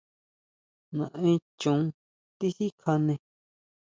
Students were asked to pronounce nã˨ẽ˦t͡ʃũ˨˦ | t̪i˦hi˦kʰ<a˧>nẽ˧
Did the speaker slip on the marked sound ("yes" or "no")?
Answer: no